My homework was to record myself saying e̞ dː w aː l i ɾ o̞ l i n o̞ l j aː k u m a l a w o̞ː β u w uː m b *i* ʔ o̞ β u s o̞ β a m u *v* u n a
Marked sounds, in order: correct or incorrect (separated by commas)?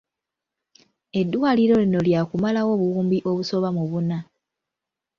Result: correct, incorrect